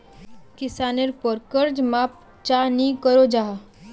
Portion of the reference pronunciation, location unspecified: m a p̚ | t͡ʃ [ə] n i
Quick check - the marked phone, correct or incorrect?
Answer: incorrect: a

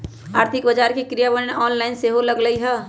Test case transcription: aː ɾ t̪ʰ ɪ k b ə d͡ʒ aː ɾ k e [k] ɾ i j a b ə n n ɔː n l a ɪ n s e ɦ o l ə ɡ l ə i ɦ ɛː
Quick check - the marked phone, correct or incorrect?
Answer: correct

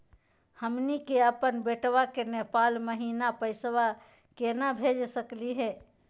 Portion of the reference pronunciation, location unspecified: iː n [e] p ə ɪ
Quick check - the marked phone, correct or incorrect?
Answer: incorrect: a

